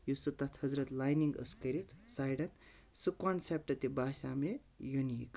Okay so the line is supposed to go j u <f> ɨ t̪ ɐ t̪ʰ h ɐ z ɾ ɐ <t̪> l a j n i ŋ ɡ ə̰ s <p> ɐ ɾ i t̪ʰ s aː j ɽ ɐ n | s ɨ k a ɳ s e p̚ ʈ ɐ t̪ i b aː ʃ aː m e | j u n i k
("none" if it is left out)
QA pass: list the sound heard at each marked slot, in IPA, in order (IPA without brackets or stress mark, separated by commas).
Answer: s, t̪, k